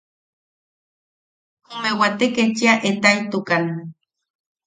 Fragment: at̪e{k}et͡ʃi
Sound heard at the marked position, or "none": k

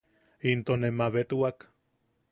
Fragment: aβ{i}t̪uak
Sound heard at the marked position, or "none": e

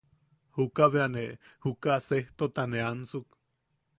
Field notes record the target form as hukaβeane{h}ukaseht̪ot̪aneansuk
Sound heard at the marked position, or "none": h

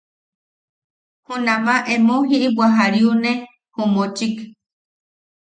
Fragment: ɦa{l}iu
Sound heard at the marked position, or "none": ɾ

